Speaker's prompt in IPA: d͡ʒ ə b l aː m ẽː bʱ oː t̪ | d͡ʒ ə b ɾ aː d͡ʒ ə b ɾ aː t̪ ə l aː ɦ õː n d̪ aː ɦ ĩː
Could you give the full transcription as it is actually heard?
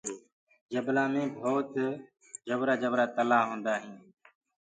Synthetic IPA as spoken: d͡ʒ ə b l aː m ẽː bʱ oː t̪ | d͡ʒ ə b ɾ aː d͡ʒ ə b ɾ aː t̪ ə l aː ɦ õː n d̪ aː ɦ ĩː